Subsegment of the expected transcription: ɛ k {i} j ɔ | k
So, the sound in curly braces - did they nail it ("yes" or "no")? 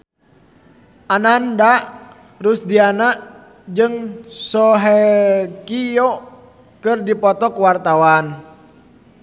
yes